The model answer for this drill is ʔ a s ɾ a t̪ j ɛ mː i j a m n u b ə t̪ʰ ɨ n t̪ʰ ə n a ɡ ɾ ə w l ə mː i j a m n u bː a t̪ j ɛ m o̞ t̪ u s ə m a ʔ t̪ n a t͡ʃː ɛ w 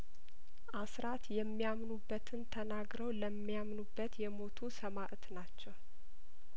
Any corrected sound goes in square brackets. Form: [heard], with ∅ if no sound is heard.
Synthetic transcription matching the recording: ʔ a s ɾ a t̪ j ɛ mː i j a m n u [bː] ə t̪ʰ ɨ n t̪ʰ ə n a ɡ ɾ ə w l ə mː i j a m n u bː [ə] t̪ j ɛ m o̞ [t̪ʰ] u s ə m a ʔ t̪ n a t͡ʃː ɛ w